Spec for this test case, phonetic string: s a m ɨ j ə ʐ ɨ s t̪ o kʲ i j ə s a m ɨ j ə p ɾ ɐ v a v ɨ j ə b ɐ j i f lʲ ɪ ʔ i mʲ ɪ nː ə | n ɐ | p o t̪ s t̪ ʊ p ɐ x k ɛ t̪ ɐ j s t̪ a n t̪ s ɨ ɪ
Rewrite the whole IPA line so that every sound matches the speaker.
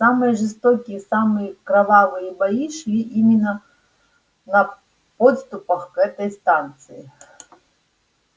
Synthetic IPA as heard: s a m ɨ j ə ʐ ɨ s t̪ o kʲ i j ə s a m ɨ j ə k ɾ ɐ v a v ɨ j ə b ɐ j i ʂ lʲ i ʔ i mʲ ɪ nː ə | n ɐ | p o t̪ s t̪ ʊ p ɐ x k ɛ t̪ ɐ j s t̪ a n t̪ s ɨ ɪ